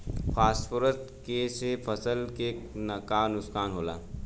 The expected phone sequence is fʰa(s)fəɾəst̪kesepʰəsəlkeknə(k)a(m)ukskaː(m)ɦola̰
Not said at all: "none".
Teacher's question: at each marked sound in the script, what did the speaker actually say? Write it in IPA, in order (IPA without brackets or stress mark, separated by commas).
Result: s, k, n, n